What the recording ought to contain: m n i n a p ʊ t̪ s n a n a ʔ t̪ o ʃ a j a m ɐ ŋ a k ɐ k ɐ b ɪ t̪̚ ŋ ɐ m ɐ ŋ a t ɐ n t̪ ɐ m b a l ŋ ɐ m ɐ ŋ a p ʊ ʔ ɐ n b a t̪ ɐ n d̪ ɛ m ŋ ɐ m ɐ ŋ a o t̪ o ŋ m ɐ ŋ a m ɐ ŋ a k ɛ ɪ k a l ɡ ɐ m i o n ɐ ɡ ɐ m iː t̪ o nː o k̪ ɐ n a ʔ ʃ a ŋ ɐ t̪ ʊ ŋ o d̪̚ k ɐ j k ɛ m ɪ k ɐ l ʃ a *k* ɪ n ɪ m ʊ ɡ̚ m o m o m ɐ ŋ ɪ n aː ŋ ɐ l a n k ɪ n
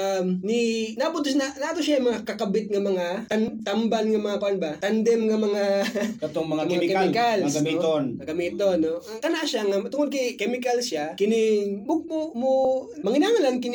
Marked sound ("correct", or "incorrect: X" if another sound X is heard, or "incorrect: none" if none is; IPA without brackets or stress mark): correct